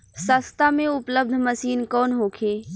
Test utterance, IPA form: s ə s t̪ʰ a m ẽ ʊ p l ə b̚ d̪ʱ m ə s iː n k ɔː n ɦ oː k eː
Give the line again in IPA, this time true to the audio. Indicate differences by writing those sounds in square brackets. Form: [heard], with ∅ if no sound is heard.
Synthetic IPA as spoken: s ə s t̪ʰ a m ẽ ʊ p l ə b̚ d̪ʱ m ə s iː n k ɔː n ɦ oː [kʰ] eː